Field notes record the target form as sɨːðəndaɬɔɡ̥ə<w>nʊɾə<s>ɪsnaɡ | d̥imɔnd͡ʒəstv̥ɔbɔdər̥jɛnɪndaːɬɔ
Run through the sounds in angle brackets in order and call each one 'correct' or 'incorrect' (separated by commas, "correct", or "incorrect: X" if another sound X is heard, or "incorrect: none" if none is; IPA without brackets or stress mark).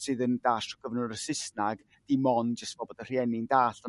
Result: incorrect: v, correct